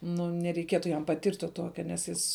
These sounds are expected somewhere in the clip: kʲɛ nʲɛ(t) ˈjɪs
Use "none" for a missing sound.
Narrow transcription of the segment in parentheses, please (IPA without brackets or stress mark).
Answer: s